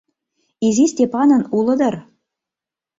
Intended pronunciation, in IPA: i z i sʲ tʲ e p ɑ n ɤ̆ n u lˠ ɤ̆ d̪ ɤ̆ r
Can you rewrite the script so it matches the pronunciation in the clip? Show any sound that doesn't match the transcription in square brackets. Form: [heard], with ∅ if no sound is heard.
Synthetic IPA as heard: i z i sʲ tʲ e p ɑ n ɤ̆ n u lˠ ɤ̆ d̪ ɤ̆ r

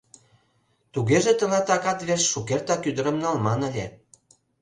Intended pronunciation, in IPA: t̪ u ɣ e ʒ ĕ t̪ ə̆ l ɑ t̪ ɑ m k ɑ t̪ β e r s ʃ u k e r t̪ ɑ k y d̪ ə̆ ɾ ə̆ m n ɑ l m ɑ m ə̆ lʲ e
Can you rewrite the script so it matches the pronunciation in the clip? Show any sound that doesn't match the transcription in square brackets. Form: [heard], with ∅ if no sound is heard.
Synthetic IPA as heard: t̪ u ɣ e ʒ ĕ t̪ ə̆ l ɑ t̪ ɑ [∅] k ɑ t̪ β e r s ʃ u k e r t̪ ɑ k y d̪ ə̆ ɾ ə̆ m n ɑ l m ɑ [n] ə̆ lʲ e

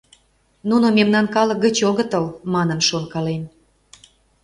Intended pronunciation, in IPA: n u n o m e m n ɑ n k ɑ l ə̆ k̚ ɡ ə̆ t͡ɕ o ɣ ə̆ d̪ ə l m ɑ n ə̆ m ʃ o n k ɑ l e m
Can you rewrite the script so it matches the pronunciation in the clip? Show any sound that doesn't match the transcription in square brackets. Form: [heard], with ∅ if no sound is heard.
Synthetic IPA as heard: n u n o m e m n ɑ n k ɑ l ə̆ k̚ ɡ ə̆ t͡ɕ o ɣ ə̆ [t̪] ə l m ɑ n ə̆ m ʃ o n k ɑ l e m

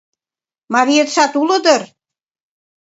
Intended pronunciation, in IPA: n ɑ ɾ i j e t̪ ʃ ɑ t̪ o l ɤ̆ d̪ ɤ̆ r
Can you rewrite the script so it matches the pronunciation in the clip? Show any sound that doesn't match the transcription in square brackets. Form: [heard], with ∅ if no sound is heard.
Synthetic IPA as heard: [m] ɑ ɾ i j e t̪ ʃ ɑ t̪ [u] l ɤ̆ d̪ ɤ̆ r

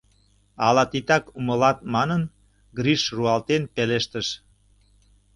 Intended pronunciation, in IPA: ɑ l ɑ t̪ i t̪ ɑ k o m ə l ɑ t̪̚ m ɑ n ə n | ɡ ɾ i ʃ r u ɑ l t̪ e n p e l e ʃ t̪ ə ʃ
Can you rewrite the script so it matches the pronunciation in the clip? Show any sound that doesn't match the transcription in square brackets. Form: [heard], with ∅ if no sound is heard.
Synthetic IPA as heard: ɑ l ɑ t̪ i t̪ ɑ k [u] m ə l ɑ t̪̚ m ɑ n ə n | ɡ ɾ i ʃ r u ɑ l t̪ e n p e l e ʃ t̪ ə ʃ

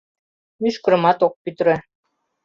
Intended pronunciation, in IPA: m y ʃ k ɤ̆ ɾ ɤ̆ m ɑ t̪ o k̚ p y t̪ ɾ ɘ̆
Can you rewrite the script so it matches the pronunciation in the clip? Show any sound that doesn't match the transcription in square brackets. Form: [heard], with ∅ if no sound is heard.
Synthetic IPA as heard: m y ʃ k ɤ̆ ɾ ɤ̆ m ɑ t̪ o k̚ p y t̪ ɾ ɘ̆

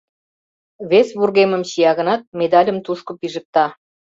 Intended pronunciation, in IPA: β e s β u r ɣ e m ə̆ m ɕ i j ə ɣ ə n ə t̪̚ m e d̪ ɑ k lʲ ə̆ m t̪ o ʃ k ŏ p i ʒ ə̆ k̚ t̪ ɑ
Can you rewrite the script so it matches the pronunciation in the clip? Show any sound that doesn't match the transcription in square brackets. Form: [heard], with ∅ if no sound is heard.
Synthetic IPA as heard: β e s β u r ɣ e m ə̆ m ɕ i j [ɑ] ɣ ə n [ɑ] t̪̚ m e d̪ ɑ [∅] lʲ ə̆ m t̪ [u] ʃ k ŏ p i ʒ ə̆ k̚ t̪ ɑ

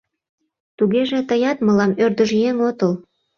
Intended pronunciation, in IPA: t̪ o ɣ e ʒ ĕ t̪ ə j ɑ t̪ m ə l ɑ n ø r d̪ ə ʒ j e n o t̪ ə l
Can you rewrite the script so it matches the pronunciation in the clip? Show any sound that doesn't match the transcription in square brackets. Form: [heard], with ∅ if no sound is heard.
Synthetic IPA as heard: t̪ [u] ɣ e ʒ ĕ t̪ ə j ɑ t̪ m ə l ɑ [m] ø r d̪ ə ʒ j e [ŋ] o t̪ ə l

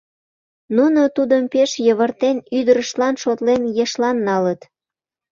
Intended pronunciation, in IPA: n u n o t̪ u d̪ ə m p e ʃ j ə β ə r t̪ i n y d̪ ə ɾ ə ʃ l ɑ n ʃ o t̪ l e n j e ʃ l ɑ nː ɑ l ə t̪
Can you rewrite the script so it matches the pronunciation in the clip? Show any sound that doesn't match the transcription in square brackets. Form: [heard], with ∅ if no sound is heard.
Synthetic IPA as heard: n u n o t̪ u d̪ ə m p e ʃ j ə β ə r t̪ [e] n y d̪ ə ɾ ə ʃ l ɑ n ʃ o t̪ l e n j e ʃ l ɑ nː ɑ l ə t̪

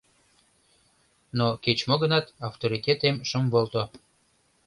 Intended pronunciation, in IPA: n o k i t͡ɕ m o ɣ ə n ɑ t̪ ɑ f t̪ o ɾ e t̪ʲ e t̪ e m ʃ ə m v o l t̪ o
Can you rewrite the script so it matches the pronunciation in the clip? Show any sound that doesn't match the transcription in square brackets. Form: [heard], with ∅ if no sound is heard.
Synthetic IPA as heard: n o k [e] t͡ɕ m o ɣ ə n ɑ t̪ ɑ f t̪ o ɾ [i] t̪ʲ e t̪ e m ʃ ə m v o l t̪ o

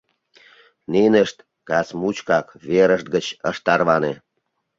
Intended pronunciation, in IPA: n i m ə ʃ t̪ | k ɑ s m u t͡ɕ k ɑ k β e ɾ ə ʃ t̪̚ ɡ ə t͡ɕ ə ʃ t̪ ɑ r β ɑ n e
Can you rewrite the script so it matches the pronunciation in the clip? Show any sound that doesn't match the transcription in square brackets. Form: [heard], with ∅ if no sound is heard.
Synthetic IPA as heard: n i [n] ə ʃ t̪ | k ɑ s m u t͡ɕ k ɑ k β e ɾ ə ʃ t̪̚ ɡ ə t͡ɕ ə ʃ t̪ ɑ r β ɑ n e

